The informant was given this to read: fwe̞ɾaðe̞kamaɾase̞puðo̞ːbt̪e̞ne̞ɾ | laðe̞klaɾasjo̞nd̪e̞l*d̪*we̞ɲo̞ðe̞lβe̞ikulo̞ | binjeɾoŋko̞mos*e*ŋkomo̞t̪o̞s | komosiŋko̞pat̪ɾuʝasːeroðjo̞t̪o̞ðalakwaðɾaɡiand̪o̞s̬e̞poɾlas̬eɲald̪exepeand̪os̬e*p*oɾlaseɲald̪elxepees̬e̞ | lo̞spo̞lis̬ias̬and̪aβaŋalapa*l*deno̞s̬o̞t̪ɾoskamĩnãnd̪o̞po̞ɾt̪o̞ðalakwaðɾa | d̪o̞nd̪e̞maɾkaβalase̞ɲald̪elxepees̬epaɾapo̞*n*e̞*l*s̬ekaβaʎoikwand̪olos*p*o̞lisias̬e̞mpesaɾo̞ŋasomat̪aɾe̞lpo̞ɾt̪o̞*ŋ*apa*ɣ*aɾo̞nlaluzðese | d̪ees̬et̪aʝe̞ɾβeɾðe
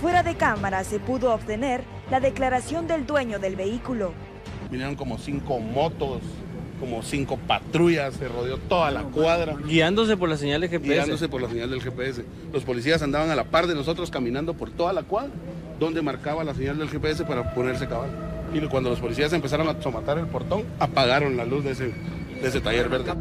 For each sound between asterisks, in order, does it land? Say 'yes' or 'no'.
yes, no, yes, no, yes, no, yes, yes, yes

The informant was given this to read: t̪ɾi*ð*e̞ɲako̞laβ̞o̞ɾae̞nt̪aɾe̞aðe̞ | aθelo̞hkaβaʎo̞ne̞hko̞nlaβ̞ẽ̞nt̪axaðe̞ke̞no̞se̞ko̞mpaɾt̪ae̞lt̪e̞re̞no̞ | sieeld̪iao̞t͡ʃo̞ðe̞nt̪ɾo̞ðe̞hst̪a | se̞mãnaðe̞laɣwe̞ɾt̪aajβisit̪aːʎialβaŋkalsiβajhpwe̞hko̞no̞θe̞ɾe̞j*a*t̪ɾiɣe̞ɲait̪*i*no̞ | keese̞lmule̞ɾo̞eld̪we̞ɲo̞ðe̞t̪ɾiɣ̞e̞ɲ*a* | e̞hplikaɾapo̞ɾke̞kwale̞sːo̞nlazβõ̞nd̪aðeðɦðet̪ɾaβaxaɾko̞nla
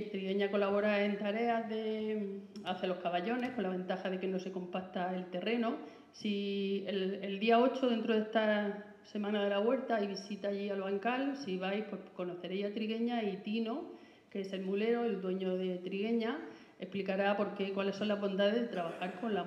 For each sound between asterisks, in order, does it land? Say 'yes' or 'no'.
no, yes, yes, yes

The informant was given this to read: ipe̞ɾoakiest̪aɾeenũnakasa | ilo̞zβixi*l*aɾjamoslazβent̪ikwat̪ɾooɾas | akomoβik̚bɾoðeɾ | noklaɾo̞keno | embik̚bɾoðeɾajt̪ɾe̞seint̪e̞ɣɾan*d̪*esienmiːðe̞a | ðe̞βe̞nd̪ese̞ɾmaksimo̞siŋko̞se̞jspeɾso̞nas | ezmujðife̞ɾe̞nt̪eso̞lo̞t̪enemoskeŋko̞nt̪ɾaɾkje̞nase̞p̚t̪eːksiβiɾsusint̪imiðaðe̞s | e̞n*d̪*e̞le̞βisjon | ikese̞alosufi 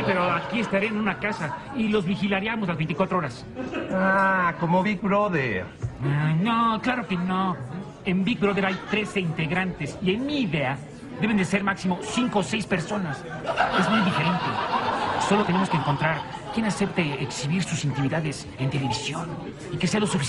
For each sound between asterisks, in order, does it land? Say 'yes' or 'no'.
yes, no, no

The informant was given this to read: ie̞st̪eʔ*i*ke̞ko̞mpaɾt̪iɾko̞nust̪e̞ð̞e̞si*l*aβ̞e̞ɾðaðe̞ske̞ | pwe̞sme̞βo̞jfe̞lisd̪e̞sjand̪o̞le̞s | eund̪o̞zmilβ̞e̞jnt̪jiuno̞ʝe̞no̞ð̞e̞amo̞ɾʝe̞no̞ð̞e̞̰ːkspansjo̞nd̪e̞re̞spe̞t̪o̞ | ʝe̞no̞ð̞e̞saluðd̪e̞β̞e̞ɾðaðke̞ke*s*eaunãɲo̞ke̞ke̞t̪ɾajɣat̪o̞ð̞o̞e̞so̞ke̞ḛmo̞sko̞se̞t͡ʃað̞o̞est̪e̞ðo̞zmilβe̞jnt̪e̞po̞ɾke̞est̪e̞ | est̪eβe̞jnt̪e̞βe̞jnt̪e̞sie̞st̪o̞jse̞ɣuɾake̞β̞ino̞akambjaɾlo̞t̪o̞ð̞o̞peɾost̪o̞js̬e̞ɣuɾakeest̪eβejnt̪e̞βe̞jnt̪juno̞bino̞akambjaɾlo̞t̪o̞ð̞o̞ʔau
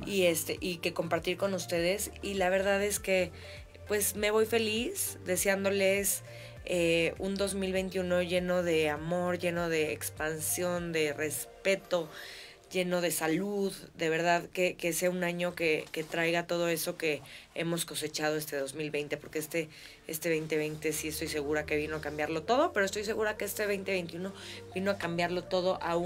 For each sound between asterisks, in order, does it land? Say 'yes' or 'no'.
yes, yes, yes

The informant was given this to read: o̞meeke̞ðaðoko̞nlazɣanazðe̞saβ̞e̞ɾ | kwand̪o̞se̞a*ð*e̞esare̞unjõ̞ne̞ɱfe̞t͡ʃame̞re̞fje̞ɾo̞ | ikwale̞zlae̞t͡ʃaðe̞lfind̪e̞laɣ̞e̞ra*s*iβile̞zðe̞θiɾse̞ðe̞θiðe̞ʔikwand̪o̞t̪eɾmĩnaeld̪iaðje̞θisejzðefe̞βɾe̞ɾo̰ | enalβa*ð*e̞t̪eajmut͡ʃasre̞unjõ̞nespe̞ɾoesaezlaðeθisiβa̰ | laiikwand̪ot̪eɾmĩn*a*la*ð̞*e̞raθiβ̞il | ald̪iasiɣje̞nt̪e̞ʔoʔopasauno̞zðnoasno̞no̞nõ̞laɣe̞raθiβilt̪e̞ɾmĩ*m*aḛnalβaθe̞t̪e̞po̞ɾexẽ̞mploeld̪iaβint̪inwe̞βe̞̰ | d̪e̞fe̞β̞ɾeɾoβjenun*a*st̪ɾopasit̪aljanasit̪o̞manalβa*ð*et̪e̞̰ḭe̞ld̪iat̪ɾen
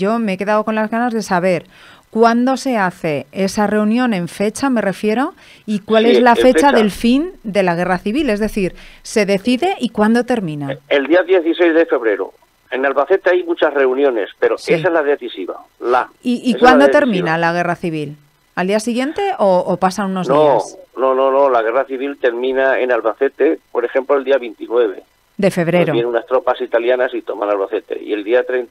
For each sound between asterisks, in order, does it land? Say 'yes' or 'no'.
no, no, no, yes, no, no, yes, no

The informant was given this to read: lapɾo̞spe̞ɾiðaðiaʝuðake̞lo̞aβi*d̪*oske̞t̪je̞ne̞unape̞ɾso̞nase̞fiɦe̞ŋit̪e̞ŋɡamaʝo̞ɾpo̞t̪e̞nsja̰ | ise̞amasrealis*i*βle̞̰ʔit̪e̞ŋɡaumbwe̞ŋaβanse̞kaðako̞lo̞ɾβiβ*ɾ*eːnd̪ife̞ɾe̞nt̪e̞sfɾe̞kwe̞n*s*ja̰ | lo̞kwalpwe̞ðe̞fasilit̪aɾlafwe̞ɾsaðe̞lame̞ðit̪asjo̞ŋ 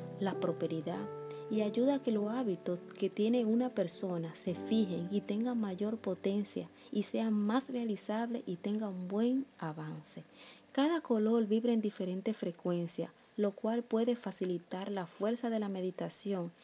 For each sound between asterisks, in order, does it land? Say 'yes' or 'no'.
no, no, yes, yes

